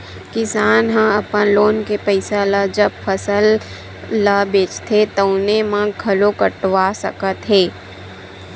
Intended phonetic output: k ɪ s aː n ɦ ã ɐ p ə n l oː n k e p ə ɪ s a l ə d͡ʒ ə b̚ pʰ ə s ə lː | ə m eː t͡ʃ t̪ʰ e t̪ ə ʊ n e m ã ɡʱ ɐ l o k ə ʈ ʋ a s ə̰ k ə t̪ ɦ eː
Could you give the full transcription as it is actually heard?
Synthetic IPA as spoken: k ɪ s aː n ɦ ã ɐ p ə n l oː n k e p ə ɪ s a l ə d͡ʒ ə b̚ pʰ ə s ə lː | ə b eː t͡ʃ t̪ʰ e t̪ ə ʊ n e m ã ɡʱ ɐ l o k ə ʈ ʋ a s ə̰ k ə t̪ ɦ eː